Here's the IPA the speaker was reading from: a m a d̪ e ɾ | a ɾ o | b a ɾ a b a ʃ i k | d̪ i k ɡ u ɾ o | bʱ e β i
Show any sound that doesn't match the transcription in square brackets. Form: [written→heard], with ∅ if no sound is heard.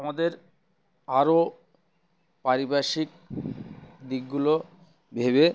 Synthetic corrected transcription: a m a d̪ e ɾ | a ɾ o | [b→p] a ɾ [a→i] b a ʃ i k | d̪ i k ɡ u [ɾ→l] o | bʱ e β [i→e]